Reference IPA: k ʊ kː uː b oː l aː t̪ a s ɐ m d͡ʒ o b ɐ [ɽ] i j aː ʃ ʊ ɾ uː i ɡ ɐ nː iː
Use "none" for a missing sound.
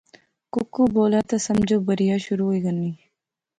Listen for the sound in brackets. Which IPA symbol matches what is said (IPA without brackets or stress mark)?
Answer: ɾ